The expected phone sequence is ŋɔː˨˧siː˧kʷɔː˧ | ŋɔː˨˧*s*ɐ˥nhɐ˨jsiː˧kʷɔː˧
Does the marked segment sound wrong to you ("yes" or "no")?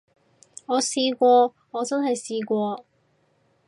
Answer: yes